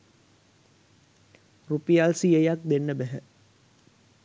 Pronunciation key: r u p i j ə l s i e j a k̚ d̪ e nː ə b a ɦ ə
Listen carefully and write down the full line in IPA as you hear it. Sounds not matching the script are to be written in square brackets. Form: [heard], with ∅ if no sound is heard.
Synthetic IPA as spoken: r u p i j [a] l s i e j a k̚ d̪ e nː ə b [æ] ɦ ə